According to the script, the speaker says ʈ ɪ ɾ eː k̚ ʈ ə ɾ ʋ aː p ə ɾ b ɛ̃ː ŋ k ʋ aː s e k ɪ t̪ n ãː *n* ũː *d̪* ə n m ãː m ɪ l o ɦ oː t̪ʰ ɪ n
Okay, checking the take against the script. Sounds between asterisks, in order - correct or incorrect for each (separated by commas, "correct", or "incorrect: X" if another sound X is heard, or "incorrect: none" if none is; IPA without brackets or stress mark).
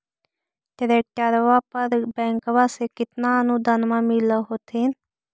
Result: correct, correct